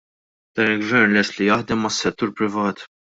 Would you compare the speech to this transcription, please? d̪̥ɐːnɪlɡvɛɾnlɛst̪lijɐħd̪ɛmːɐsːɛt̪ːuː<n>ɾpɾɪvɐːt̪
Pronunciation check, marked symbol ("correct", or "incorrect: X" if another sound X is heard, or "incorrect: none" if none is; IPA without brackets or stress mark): incorrect: none